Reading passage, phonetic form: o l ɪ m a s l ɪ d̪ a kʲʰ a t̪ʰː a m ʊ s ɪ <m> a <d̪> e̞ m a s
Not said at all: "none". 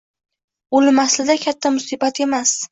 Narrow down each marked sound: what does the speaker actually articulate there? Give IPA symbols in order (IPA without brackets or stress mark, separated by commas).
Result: b, t̪